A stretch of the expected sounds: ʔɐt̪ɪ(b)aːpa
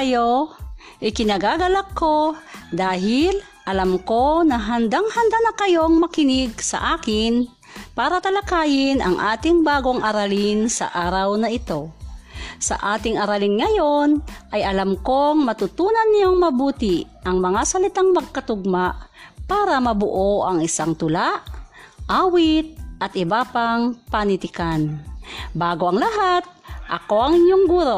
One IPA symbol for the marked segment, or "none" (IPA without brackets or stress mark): b